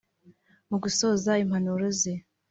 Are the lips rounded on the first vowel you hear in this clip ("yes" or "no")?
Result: yes